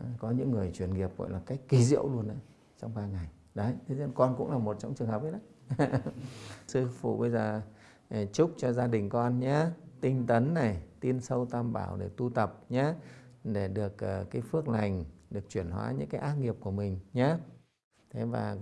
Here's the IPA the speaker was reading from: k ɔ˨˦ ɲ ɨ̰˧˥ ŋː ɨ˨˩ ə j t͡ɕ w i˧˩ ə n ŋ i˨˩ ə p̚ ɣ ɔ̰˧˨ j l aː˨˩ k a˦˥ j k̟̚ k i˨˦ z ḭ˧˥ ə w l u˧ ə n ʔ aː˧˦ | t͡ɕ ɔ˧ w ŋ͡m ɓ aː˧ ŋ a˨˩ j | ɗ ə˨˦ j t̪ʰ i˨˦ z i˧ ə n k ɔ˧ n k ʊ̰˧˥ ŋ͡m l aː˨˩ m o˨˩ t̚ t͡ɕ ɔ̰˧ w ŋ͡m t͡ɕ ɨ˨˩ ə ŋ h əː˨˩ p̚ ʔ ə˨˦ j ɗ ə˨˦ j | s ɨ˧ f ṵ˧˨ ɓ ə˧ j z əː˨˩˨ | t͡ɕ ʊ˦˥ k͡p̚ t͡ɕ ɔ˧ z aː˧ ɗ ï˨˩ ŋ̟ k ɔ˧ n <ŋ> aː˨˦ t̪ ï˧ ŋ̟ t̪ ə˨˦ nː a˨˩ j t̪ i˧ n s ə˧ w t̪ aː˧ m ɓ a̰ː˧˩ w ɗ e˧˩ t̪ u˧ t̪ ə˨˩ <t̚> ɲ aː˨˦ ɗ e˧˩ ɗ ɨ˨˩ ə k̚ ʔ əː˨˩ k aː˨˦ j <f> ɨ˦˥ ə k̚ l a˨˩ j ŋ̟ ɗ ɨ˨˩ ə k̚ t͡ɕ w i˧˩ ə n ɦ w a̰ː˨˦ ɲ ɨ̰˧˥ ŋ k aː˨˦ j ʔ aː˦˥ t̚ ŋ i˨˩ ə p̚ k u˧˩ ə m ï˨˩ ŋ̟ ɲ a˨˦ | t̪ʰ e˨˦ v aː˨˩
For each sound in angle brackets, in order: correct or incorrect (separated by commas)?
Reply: incorrect, incorrect, correct